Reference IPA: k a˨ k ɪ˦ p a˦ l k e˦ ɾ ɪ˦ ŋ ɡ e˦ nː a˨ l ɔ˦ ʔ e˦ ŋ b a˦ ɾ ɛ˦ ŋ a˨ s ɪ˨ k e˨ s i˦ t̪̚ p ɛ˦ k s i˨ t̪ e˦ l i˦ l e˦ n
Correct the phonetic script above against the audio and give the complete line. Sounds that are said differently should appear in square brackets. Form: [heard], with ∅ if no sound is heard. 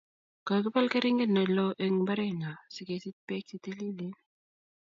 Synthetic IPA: k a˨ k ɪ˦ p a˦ l k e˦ ɾ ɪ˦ ŋ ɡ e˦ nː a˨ l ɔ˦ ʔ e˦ ŋ b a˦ ɾ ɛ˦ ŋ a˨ s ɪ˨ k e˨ s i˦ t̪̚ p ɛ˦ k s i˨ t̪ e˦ l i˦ l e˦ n